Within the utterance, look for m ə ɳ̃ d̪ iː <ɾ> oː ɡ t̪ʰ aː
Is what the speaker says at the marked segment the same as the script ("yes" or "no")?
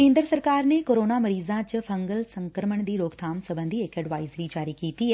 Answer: yes